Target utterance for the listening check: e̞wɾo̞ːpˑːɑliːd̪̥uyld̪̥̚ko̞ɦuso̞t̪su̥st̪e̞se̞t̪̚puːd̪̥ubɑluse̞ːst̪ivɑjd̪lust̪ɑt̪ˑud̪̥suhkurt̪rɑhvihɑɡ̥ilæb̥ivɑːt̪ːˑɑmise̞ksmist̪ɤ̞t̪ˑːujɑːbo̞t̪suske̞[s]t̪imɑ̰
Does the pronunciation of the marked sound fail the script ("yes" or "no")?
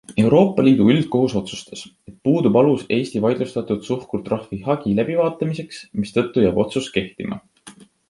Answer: yes